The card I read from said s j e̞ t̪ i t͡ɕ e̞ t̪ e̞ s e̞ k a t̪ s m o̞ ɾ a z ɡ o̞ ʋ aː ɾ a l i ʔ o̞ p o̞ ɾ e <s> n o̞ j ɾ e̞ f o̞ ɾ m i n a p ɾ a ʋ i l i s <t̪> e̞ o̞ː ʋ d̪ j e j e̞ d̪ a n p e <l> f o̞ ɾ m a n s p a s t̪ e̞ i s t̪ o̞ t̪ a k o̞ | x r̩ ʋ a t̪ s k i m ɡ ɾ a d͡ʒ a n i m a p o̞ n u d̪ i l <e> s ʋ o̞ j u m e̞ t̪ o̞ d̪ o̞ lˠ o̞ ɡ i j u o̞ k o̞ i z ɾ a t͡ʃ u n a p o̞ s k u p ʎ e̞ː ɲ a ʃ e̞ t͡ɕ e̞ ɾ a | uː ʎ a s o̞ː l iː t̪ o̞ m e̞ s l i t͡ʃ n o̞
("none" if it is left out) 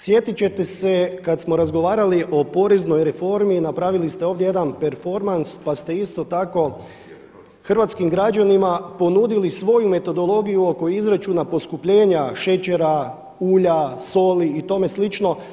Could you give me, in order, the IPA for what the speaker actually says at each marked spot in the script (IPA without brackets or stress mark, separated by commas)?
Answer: z, t̪, ɾ, i